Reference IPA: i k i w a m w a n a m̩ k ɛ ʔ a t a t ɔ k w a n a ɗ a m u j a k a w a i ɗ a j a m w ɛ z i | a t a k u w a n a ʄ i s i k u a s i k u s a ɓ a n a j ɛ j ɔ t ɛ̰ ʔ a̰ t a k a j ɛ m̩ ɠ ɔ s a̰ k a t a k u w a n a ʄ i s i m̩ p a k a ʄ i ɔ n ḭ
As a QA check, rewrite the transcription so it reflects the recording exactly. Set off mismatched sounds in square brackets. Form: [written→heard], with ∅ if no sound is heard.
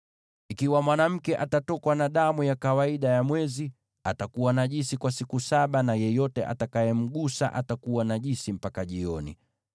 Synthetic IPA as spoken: i k i w a m w a n a m̩ k ɛ ʔ a t a t ɔ k w a n a ɗ a m u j a k a w a i ɗ a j a m w ɛ z i | a t a k u w a n a ʄ i s i k [u→w] a s i k u s a ɓ a n a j ɛ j ɔ t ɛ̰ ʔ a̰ t a k a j ɛ m̩ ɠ [ɔ→u] s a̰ [k→ʔ] a t a k u w a n a ʄ i s i m̩ p a k a ʄ i ɔ n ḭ

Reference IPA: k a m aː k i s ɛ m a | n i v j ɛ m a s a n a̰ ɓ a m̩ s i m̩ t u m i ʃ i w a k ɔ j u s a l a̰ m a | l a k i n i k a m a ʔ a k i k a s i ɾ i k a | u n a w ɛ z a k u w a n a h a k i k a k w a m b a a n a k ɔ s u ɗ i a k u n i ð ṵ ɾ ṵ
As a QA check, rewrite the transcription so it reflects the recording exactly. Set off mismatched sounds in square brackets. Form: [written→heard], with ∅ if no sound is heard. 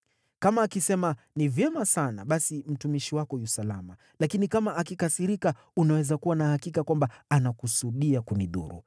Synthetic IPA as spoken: k a m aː k i s ɛ m a | n i v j ɛ m a s a n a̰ ɓ a [m̩→∅] s i m̩ t u m i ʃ i w a k ɔ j u s a l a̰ m a | l a k i n i k a m a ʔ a k i k a s i ɾ i k a | u n a w ɛ z a k u w a n a h a k i k a k w a m b a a n a k [ɔ→u] s u ɗ i a k u n i ð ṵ ɾ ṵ

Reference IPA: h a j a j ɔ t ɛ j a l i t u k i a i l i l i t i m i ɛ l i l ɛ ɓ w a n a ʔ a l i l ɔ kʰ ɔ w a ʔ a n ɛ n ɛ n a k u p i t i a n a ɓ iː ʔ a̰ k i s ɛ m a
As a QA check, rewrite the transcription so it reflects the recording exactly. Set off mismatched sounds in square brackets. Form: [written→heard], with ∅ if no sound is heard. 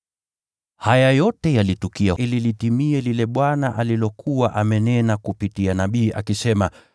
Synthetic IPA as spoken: h a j a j ɔ t ɛ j a l i t u k i a i l i l i t i m i ɛ l i l ɛ ɓ w a n a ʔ a l i l ɔ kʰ [ɔ→u] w a ʔ a [n→m] ɛ n ɛ n a k u p i t i a n a ɓ iː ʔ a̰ k i s ɛ m a

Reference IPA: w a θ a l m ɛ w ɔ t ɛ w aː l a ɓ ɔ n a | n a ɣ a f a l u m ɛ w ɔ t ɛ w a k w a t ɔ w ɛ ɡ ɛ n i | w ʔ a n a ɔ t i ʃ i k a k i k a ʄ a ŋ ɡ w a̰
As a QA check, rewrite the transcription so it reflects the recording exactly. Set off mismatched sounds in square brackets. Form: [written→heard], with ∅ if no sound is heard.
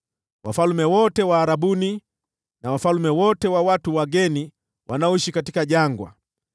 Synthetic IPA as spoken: w a [θ→f] a l m ɛ w ɔ t ɛ w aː [l→ɾ] a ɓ [ɔ→u] n [a→i] | n a [ɣ→w] a f a l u m ɛ w ɔ t ɛ w a [k→∅] w a t [ɔ→u] w [ɛ→a] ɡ ɛ n i | w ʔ a n a ɔ [t→∅] i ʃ i k a [k→t] i k a ʄ a ŋ ɡ w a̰

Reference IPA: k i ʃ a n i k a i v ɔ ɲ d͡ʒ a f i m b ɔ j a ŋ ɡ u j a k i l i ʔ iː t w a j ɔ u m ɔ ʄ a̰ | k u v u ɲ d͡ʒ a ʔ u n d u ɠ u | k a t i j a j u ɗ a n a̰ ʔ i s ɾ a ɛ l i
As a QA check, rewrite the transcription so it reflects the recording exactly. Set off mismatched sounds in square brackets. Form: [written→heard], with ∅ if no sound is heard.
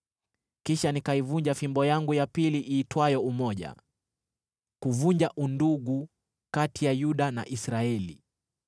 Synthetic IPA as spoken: k i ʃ a n i k a i v [ɔ→u] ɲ d͡ʒ a f i m b ɔ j a ŋ ɡ u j a [k→p] i l i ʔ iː t w a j ɔ u m ɔ ʄ a̰ | k u v u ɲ d͡ʒ a ʔ u n d u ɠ u | k a t i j a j u ɗ a n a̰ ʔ i s ɾ a ɛ l i

